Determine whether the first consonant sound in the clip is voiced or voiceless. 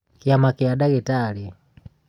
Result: voiceless